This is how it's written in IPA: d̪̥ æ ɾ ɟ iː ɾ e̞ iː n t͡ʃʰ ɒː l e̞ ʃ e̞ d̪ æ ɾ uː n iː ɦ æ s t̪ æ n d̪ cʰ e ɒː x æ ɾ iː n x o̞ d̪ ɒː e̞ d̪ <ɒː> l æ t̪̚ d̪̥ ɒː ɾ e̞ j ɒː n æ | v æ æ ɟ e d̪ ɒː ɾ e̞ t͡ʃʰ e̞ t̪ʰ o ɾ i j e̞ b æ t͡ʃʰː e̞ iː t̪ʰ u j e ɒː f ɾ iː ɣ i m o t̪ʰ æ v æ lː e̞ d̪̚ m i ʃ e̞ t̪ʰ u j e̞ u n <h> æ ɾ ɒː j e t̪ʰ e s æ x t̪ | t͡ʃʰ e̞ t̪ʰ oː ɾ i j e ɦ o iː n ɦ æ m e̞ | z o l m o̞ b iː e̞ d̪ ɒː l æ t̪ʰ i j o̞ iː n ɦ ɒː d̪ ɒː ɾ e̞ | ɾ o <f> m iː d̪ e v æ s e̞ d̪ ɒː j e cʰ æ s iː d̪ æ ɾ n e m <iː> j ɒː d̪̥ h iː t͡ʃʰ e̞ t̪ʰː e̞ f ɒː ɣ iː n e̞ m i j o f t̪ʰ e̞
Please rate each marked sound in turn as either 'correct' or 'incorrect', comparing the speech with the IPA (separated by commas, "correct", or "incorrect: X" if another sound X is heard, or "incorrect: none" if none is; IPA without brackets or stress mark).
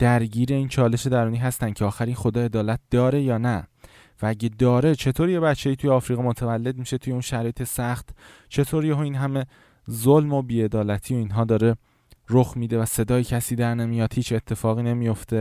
correct, incorrect: ʃ, incorrect: x, incorrect: i